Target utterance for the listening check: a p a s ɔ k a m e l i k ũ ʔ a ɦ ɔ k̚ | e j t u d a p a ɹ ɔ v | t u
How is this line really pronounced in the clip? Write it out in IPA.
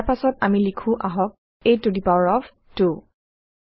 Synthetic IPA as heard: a p a s ɔ t a m i l i kʰ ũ ʔ a ɦ ɔ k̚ | e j t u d i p a ɹ ɔ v | t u